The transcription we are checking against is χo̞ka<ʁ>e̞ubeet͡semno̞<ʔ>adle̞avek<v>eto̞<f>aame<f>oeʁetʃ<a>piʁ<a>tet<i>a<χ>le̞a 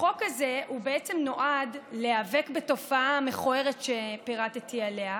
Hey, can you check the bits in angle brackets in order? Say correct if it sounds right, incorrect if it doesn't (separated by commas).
incorrect, correct, incorrect, correct, incorrect, incorrect, correct, correct, incorrect